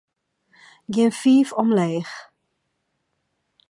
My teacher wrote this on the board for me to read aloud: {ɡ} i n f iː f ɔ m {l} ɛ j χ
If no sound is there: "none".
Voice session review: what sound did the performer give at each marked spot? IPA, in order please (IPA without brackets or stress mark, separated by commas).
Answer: ɡ, l